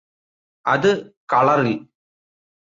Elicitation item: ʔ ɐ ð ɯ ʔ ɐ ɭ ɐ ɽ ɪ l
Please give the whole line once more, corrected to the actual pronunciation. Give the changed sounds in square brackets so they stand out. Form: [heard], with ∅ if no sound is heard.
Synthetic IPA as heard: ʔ ɐ ð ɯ [k] ɐ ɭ ɐ [ɾ] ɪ l